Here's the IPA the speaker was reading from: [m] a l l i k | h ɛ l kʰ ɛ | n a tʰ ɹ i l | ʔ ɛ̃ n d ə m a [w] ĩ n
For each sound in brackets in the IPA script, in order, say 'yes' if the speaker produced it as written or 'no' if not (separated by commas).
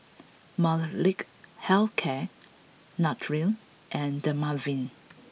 yes, no